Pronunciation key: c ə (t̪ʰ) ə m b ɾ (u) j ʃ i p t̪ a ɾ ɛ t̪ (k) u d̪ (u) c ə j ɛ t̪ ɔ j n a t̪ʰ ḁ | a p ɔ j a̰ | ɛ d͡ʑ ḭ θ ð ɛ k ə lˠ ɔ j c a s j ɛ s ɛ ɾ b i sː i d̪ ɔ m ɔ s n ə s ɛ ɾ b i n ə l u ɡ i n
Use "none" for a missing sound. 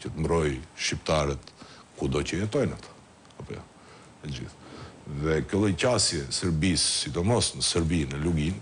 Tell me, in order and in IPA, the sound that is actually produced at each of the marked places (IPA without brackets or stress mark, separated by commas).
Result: t̪, ɔ, k, ɔ